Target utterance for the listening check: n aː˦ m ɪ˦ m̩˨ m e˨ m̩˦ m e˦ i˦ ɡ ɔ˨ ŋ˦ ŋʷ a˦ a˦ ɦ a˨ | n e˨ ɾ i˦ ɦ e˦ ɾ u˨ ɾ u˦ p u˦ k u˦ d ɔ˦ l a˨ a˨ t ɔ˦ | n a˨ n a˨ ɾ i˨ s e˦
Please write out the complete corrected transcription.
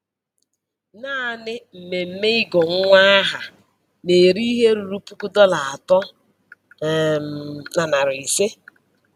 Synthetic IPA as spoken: n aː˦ n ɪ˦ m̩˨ m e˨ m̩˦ m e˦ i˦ ɡ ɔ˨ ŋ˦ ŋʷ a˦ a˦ ɦ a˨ | n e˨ ɾ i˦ ɦ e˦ ɾ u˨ ɾ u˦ p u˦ k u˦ d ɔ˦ l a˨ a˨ t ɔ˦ | n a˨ n a˨ ɾ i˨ s e˦

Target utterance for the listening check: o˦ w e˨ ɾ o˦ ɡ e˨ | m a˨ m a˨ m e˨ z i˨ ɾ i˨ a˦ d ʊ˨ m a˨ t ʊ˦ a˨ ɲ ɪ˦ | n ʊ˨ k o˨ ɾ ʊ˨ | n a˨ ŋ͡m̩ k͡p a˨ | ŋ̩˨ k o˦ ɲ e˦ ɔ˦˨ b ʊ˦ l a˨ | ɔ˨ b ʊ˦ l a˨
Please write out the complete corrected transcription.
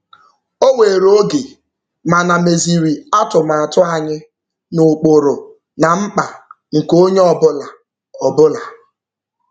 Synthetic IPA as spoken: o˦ w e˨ ɾ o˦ ɡ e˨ | m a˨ n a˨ m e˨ z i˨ ɾ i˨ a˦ t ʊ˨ m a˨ t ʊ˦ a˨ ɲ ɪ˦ | n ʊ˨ k͡p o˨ ɾ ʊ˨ | n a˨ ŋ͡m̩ k͡p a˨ | ŋ̩˨ k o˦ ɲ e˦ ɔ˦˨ b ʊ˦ l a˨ | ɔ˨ b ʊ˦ l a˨

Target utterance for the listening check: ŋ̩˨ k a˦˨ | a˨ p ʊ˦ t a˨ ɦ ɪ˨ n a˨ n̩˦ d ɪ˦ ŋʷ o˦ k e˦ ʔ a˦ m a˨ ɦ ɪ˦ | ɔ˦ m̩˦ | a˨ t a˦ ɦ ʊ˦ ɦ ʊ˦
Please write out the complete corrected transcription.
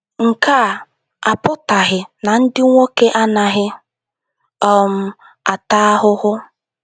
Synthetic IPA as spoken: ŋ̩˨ k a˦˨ | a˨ p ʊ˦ t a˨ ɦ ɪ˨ n a˨ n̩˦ d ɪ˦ ŋʷ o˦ k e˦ ʔ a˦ n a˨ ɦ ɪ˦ | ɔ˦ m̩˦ | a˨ t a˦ ɦ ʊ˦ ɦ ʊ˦

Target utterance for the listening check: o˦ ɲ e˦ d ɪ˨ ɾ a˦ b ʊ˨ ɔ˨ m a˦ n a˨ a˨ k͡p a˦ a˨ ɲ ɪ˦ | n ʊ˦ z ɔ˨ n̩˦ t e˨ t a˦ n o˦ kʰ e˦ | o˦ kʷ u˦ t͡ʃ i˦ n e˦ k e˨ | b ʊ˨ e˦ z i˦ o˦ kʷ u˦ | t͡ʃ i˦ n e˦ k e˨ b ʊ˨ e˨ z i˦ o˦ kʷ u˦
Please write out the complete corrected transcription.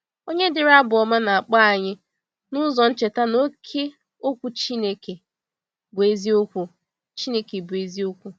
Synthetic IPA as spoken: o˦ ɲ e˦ d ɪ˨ ɾ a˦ b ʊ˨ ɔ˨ m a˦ n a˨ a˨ k͡p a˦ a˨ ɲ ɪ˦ | n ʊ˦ z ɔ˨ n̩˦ t͡ʃ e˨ t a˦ n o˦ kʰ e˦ | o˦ kʷ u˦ t͡ʃ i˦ n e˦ k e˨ | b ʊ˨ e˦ z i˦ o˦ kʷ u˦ | t͡ʃ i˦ n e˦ k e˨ b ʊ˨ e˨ z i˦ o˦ kʷ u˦

